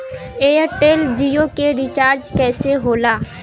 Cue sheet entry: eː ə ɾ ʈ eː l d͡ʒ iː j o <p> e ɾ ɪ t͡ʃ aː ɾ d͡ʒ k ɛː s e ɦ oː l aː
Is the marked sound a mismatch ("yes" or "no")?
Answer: yes